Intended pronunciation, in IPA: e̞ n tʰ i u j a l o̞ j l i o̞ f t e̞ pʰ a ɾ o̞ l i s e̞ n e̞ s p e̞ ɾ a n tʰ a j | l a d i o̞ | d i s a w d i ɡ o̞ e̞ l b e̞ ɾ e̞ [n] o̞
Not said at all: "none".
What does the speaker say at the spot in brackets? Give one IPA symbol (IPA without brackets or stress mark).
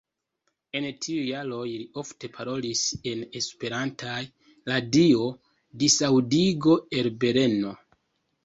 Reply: n